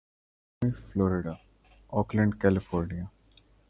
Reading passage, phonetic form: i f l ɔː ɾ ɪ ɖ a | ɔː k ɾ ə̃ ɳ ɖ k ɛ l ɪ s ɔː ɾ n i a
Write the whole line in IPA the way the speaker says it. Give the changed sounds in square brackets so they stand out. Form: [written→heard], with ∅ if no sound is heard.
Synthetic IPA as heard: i f l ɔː ɾ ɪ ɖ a | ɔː k [ɾ→l] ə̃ ɳ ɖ k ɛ l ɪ [s→f] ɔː ɾ n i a